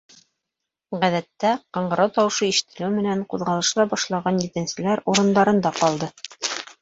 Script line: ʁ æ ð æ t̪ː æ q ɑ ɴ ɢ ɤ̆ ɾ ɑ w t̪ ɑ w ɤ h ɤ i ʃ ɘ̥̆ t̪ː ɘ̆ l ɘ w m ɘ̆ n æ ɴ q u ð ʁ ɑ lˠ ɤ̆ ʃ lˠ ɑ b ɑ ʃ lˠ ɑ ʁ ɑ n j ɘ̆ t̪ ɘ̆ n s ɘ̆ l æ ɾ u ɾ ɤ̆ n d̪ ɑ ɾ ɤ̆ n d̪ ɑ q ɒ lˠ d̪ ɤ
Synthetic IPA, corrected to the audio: ʁ æ ð æ t̪ː æ q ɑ ɴ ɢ ɤ̆ ɾ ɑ w t̪ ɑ w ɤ ʃ ɤ i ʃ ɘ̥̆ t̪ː ɘ̆ l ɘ w m ɘ̆ n æ ɴ q u ð ʁ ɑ lˠ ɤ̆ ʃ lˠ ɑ b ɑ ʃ lˠ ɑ ʁ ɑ n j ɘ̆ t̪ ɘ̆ n s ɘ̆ l æ ɾ u ɾ ɤ̆ n d̪ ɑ ɾ ɤ̆ n d̪ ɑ q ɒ lˠ d̪ ɤ